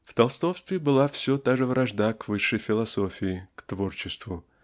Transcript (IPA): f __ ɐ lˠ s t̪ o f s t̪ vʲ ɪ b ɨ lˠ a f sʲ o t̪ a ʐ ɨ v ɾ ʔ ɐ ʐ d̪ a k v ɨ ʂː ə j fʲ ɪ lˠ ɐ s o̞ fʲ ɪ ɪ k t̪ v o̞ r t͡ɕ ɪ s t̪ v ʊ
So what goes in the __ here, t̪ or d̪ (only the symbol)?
t̪